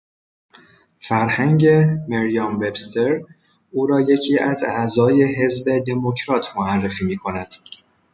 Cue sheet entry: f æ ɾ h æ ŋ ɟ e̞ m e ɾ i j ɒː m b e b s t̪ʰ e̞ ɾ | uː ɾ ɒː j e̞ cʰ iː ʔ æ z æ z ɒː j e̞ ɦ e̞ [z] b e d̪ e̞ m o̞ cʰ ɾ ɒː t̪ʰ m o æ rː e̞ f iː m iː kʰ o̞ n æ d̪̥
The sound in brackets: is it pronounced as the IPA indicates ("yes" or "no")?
yes